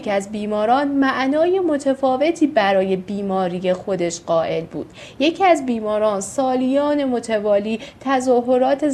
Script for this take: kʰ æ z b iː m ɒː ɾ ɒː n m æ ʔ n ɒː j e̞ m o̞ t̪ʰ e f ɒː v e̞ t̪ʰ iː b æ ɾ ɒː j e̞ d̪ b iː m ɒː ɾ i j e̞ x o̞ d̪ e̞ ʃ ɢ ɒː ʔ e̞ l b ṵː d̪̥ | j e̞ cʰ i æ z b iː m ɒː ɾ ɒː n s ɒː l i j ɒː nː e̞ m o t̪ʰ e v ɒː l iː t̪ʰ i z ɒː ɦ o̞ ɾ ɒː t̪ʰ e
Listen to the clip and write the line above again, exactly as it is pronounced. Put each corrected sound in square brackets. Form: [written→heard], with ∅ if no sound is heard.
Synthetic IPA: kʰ æ z b iː m ɒː ɾ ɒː n m æ ʔ n ɒː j e̞ m o̞ t̪ʰ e f ɒː v e̞ t̪ʰ iː b æ ɾ ɒː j e̞ [d̪→∅] b iː m ɒː ɾ i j e̞ x o̞ d̪ e̞ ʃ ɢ ɒː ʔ e̞ l b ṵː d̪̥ | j e̞ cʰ i æ z b iː m ɒː ɾ ɒː n s ɒː l i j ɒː [nː→n] e̞ m o t̪ʰ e v ɒː l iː t̪ʰ [i→æ] z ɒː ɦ o̞ ɾ ɒː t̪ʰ e